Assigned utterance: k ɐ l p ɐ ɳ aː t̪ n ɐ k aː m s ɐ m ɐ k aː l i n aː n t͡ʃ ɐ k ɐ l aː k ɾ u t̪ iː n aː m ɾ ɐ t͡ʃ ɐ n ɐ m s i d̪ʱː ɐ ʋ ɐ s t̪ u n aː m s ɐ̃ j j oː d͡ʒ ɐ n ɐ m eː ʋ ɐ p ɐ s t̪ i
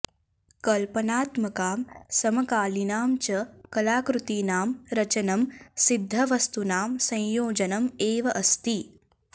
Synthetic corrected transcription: k ɐ l p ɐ n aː t̪ m ɐ k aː m s ɐ m ɐ k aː l i n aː m t͡ʃ ɐ k ɐ l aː k ɾ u t̪ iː n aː m ɾ ɐ t͡ʃ ɐ n ɐ m s i d̪ʱː ɐ ʋ ɐ s t̪ u n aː m s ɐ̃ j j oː d͡ʒ ɐ n ɐ m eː ʋ ɐ ʔ ɐ s t̪ i